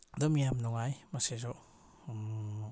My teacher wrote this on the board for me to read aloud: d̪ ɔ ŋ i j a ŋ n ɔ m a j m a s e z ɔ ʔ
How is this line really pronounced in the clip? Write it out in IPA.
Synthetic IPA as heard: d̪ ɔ m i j a m n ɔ ŋ a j m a s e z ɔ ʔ